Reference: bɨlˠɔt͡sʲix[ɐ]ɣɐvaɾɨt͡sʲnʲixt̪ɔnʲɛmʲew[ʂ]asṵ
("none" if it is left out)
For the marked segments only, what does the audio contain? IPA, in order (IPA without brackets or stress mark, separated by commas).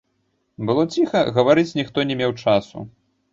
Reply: ɐ, t͡ʂ